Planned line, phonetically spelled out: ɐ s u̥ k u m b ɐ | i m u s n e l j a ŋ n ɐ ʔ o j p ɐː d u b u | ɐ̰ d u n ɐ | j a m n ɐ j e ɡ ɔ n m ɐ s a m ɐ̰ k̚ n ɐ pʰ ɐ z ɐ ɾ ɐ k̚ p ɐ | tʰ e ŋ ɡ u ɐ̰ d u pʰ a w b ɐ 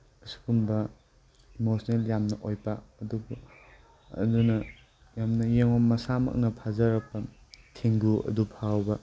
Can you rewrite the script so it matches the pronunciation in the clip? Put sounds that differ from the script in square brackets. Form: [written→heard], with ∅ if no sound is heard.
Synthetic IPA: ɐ s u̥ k u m b ɐ | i m [u→o] s n e l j a [ŋ→m] n ɐ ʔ o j p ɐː d u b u | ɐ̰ d u n ɐ | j a m n ɐ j e [ɡ→ŋ] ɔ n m ɐ s a m ɐ̰ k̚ n ɐ pʰ [ɐ→a] z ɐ ɾ ɐ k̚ p ɐ | tʰ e ŋ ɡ u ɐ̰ d u pʰ a w b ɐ